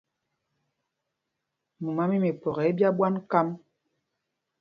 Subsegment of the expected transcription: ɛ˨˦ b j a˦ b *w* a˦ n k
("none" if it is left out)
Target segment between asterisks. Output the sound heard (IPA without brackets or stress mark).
w